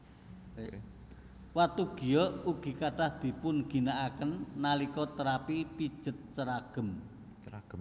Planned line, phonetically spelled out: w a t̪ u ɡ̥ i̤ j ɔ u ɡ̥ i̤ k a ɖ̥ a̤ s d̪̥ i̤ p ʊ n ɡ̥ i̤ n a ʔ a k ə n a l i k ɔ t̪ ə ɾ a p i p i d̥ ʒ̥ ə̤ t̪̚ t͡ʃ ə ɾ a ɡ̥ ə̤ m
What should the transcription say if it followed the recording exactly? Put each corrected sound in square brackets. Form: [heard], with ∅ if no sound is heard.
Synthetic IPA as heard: w a t̪ u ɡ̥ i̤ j ɔ u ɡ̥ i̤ k a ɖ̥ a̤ [h] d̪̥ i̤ p ʊ n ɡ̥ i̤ n a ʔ a k ə [nː] a l i k ɔ t̪ ə ɾ a p i p i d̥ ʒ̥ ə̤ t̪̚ t͡ʃ ə ɾ a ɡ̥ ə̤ m